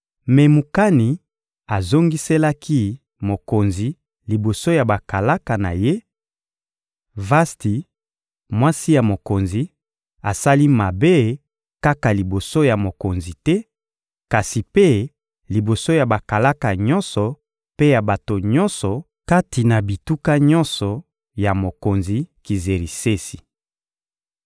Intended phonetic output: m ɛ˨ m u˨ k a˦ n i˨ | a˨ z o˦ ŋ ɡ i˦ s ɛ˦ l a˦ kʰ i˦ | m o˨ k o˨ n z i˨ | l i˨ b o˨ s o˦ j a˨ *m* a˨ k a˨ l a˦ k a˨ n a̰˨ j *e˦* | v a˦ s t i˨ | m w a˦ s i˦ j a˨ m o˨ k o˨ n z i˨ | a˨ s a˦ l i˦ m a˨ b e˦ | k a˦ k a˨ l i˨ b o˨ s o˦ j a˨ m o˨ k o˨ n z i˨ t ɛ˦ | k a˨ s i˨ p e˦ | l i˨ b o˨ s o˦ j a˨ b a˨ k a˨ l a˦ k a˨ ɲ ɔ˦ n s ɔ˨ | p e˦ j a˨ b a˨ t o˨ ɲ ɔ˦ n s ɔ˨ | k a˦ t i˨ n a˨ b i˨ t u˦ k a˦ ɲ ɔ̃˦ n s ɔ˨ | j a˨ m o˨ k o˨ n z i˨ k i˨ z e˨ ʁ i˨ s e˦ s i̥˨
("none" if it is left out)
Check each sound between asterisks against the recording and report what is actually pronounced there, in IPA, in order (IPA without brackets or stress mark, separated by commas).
b, e˦